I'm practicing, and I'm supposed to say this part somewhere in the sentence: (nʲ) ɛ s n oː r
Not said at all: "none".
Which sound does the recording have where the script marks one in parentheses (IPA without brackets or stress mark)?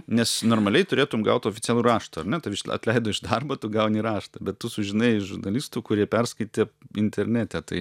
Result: nʲ